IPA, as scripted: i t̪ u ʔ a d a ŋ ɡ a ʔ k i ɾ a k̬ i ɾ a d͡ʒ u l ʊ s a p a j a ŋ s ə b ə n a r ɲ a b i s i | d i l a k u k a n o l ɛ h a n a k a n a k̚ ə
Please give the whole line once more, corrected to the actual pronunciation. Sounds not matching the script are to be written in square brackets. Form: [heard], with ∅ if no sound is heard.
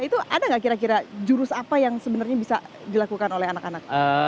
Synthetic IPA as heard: i t̪ u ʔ a d a ŋ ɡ a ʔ k i ɾ a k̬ i ɾ a d͡ʒ u [ɾ] ʊ s a p a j a ŋ s ə b ə n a r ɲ a b i s [a] | d i l a k u k a n o l ɛ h a n a k a n a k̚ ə